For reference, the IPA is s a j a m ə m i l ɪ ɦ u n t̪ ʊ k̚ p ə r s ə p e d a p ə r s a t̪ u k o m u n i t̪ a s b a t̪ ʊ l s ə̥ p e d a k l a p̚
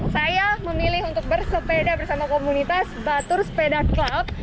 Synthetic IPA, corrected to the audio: s a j a m ə m i l ɪ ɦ u n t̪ ʊ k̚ b ə r s ə p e d a b ə r s a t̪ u k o m u n i t̪ a s b a t̪ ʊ r s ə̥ p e d a k l a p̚